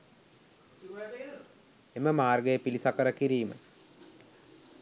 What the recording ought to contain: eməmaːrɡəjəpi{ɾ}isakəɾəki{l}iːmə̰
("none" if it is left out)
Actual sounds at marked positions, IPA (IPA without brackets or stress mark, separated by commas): l, ɾ